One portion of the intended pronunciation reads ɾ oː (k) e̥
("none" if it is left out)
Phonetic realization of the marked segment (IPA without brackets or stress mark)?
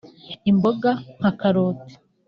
t